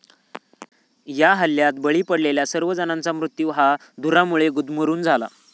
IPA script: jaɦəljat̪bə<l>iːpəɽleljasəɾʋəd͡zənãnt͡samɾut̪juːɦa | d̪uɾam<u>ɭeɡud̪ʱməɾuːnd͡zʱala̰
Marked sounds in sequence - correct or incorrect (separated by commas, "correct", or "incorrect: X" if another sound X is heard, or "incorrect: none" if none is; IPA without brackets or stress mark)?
incorrect: ɭ, correct